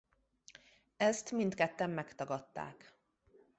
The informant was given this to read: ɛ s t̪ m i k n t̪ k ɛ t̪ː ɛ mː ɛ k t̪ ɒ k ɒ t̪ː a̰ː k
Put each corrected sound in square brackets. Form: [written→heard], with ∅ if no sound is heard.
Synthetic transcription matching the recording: ɛ s t̪ m i [k→∅] n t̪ k ɛ t̪ː ɛ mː ɛ k t̪ ɒ [k→ɡ] ɒ t̪ː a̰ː k